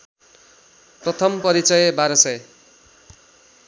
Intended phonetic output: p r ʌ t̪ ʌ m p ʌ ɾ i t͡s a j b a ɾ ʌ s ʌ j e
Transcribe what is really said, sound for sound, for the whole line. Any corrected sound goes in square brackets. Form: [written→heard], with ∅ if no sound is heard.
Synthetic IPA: p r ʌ [t̪→t̪ʰ] ʌ m p ʌ ɾ i t͡s [a→ʌ] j b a ɾ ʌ s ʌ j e